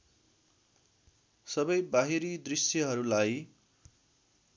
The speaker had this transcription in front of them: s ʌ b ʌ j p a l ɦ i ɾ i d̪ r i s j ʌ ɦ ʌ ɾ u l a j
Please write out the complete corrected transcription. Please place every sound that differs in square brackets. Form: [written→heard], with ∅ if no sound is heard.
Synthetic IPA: s ʌ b ʌ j [p→b] a [l→∅] ɦ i ɾ i d̪ r i s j ʌ ɦ ʌ ɾ u l a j